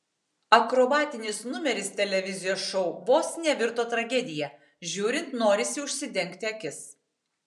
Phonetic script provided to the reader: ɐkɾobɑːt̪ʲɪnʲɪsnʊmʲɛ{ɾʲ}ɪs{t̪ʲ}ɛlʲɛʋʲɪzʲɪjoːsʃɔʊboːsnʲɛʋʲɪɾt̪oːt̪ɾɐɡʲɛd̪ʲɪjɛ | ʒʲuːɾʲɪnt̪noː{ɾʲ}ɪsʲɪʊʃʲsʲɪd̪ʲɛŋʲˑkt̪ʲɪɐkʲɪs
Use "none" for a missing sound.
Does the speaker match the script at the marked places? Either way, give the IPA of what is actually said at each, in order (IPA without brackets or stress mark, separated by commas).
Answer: ɾʲ, t̪ʲ, ɾʲ